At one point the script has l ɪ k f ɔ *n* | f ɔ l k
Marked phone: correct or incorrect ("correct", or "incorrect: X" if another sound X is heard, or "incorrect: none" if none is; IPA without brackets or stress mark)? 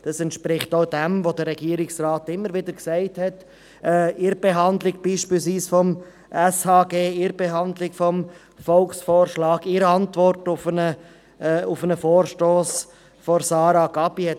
incorrect: m